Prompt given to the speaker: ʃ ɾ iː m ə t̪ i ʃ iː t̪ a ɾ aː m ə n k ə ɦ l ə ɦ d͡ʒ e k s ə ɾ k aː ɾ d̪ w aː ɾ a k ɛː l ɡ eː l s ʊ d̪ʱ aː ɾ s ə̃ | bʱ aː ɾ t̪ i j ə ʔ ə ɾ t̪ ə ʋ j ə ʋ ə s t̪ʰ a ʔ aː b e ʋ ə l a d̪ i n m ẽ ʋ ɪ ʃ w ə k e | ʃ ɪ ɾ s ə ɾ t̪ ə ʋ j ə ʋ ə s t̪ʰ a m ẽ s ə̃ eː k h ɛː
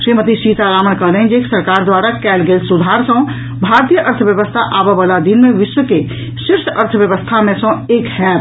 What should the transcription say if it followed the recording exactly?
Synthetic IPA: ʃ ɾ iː m ə t̪ i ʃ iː t̪ a ɾ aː m ə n k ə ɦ l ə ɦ d͡ʒ e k s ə ɾ k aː ɾ d̪ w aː ɾ a k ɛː l ɡ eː l s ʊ d̪ʱ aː ɾ s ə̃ | bʱ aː ɾ t̪ i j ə ʔ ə ɾ t̪ʰ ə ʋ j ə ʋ ə s t̪ʰ a ʔ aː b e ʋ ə l a d̪ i n m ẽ ʋ ɪ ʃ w ə k e | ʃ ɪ ɾ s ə ɾ t̪ʰ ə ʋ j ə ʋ ə s t̪ʰ a m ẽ s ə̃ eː k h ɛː

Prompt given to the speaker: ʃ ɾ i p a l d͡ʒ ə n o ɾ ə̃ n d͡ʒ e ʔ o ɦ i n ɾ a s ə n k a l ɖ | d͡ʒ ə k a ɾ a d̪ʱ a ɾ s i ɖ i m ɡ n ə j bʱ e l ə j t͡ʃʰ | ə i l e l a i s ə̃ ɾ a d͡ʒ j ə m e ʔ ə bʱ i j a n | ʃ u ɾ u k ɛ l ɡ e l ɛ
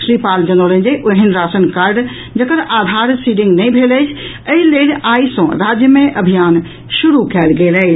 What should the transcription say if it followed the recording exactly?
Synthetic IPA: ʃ ɾ i p a l d͡ʒ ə n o l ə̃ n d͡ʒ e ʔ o ɦ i n ɾ a s ə n k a ɾ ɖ | d͡ʒ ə k ə ɾ a d̪ʱ a ɾ s i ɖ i ŋ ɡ n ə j bʱ e l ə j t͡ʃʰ | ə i l e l a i s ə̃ ɾ a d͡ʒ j ə m e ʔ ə bʱ i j a n | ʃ u ɾ u k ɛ l ɡ e l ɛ

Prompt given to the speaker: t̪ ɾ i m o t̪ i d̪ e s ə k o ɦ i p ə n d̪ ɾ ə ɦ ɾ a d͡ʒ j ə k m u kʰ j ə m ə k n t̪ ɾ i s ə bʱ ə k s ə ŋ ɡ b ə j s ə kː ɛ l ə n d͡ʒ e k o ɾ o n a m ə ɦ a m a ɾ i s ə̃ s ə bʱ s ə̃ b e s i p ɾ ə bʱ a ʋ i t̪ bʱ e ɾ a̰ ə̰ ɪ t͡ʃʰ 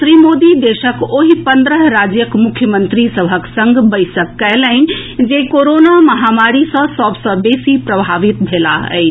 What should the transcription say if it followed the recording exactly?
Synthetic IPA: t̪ ɾ i m o d̪ i d̪ e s ə k o ɦ i p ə n d̪ ɾ ə ɦ ɾ a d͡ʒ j ə k m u kʰ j ə m ə n t̪ ɾ i s ə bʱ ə k s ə ŋ ɡ b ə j s ə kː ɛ l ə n d͡ʒ e k o ɾ o n a m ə ɦ a m a ɾ i s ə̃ s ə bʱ s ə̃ b e s i p ɾ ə bʱ a ʋ i t̪ bʱ e l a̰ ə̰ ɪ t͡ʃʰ

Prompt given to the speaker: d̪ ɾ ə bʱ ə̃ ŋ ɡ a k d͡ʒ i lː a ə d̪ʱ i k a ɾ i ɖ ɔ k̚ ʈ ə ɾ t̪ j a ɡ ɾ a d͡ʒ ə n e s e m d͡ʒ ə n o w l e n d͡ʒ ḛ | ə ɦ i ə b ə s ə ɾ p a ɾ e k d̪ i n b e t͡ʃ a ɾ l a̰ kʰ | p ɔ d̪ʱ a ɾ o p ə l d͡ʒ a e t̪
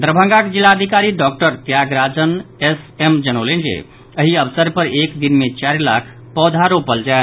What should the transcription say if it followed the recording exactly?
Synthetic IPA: d̪ ɾ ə bʱ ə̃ ŋ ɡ a k d͡ʒ i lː a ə d̪ʱ i k a ɾ i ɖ ɔ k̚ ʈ ə ɾ t̪ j a ɡ ɾ a d͡ʒ ə n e s e m d͡ʒ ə n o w l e n d͡ʒ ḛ | ə ɦ i ə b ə s ə ɾ p ə ɾ e k d̪ i n m e t͡ʃ a ɾ l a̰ kʰ | p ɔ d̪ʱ a ɾ o p ə l d͡ʒ a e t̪

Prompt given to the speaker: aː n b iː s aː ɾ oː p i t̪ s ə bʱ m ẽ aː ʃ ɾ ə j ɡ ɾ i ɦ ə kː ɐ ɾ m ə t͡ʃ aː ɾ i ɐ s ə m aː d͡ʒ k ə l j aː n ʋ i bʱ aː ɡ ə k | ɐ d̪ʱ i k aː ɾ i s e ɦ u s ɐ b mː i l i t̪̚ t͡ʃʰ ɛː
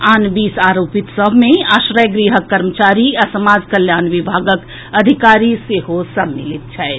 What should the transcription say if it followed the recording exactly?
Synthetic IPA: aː n b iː s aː ɾ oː p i t̪ s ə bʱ m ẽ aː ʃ ɾ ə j ɡ ɾ i ɦ ə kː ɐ ɾ m ə t͡ʃ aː ɾ i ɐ s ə m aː d͡ʒ k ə l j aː n ʋ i bʱ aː ɡ ə k | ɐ d̪ʱ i k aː ɾ i s e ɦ o s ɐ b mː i l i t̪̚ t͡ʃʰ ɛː

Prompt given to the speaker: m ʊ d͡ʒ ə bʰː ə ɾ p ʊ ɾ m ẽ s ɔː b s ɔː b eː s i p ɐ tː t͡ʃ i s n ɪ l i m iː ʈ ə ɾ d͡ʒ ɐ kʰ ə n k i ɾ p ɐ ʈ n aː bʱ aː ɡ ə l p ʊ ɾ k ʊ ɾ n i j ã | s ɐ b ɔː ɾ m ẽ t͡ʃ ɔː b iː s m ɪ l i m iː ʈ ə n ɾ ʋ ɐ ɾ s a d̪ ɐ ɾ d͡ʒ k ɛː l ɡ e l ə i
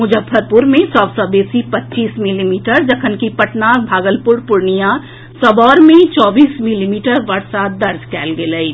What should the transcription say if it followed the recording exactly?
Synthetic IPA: m ʊ d͡ʒ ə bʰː ə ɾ p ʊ ɾ m ẽ s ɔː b s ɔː b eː s i p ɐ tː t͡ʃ iː s m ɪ l i m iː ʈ ə ɾ d͡ʒ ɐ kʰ ə n k i p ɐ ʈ n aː bʱ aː ɡ ə l p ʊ ɾ p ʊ ɾ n i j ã | s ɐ b ɔː ɾ m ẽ t͡ʃ ɔː b iː s m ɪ l i m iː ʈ ə ɾ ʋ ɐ ɾ s a d̪ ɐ ɾ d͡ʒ k ɛː l ɡ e l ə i

